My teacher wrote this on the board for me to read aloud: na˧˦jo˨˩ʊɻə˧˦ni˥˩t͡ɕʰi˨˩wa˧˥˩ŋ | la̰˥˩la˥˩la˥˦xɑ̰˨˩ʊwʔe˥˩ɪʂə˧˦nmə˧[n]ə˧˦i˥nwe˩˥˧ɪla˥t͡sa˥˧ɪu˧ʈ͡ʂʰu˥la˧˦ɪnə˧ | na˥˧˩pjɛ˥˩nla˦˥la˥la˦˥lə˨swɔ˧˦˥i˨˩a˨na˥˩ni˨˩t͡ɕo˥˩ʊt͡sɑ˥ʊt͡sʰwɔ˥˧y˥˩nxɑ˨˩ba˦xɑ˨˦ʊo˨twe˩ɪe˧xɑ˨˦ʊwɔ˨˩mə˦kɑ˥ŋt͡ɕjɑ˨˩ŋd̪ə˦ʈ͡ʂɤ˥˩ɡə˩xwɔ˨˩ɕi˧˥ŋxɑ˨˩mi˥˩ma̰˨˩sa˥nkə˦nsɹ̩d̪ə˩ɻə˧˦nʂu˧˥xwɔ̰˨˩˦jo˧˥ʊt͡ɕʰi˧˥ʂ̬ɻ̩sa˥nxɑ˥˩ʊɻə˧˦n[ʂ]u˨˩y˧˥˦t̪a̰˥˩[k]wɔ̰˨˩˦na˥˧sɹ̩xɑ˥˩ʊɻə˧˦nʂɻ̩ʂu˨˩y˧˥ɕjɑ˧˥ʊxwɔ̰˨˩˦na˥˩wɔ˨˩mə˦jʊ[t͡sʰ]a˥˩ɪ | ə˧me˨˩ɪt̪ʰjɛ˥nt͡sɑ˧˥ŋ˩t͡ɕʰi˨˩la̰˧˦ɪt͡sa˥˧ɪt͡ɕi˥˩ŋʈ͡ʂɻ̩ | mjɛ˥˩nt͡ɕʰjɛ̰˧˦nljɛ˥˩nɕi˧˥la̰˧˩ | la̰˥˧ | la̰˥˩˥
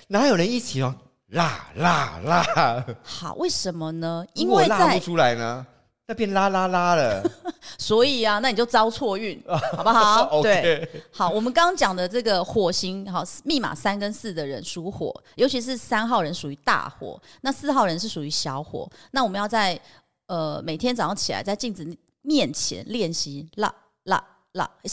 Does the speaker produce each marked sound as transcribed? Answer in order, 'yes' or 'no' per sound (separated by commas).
yes, yes, no, no